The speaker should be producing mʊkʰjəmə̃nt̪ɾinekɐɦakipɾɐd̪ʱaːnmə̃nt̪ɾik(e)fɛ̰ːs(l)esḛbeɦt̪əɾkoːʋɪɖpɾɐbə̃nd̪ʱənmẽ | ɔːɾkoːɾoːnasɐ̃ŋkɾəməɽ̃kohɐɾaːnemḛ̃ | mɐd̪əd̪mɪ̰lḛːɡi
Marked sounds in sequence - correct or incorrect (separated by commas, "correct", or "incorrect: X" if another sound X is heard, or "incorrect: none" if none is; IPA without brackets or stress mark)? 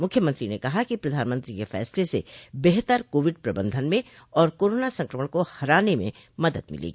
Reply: correct, correct